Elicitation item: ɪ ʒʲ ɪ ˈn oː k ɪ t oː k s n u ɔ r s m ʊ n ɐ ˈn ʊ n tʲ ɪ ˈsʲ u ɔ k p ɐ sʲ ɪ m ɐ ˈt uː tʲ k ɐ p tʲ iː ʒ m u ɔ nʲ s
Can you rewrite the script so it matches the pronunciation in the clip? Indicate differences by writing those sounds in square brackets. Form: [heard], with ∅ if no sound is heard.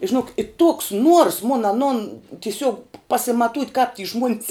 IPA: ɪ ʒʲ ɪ ˈn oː k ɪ t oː k s n u ɔ r s m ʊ n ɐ ˈn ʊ n tʲ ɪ ˈsʲ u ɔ k p ɐ sʲ ɪ m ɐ ˈt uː tʲ k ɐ p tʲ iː ʒ m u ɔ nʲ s